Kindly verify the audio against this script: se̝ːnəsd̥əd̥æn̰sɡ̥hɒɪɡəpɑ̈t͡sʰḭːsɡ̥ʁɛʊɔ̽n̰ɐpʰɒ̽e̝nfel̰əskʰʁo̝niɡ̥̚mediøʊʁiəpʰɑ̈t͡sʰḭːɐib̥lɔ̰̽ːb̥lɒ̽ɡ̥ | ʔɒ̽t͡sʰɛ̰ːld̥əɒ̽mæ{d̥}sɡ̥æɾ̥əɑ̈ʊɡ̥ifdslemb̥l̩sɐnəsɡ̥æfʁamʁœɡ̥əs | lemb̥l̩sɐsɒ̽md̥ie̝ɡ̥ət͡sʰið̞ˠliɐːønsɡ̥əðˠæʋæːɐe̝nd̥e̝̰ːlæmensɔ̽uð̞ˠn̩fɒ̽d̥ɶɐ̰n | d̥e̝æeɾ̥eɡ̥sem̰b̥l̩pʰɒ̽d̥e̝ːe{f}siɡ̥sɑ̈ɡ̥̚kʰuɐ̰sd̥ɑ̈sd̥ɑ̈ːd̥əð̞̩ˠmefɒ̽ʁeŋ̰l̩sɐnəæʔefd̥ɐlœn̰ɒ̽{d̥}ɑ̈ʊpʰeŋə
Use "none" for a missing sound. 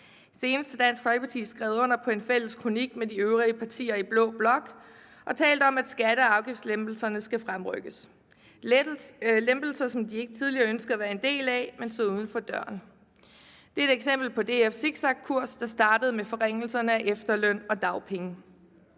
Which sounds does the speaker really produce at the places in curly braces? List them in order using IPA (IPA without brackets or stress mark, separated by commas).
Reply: d̥, f, d̥